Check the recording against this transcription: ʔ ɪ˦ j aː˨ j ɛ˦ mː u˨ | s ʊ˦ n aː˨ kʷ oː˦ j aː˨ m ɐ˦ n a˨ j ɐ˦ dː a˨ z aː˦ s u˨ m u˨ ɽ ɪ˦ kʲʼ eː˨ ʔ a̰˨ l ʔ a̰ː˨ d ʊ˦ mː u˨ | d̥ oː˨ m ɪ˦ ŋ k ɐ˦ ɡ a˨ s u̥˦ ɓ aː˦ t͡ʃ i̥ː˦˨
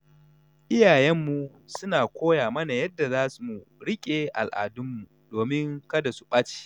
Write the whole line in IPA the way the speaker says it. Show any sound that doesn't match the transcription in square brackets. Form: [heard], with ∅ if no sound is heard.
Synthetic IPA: ʔ ɪ˦ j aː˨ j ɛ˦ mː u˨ | s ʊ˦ n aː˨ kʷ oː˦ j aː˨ m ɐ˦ n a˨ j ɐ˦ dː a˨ z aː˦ s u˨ m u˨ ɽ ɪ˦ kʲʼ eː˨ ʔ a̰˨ l ʔ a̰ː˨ d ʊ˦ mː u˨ | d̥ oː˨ m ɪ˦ ŋ k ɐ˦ [d] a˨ s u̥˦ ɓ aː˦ t͡ʃ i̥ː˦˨